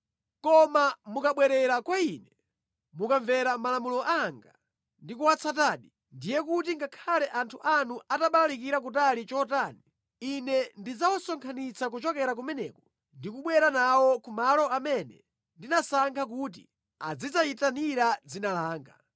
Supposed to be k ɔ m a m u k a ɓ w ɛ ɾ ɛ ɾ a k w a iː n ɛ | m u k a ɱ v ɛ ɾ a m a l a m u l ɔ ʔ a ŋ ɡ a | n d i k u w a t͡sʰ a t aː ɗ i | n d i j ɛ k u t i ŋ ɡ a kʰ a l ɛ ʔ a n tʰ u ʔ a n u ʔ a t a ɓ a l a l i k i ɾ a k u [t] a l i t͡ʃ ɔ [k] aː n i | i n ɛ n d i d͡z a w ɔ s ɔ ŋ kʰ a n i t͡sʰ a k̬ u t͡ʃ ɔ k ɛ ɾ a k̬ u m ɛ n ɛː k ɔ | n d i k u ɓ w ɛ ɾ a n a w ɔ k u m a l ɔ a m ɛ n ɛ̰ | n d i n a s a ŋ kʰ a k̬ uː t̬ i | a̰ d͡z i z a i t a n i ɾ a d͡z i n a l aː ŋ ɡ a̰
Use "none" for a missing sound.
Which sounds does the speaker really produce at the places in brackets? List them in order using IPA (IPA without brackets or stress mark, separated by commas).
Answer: t, t